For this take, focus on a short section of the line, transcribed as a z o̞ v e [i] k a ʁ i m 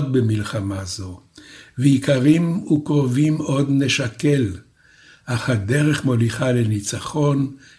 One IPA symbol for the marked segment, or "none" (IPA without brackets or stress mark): i